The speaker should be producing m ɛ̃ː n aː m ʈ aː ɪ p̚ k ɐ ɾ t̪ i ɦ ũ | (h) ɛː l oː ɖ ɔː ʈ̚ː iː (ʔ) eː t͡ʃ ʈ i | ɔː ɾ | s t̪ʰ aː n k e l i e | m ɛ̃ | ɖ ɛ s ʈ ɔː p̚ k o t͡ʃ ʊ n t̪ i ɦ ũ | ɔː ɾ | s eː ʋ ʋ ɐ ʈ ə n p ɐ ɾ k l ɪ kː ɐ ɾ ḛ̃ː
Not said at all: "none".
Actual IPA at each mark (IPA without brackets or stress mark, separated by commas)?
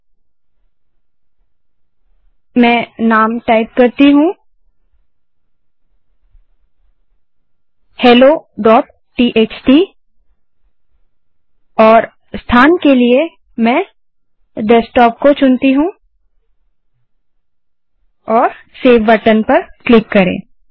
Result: h, ʔ